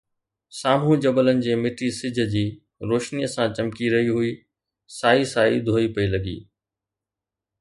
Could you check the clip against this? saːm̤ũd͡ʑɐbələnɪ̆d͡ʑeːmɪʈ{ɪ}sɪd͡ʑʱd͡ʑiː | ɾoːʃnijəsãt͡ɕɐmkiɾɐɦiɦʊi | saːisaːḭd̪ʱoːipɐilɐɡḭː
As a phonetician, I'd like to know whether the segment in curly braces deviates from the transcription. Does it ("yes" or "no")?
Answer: yes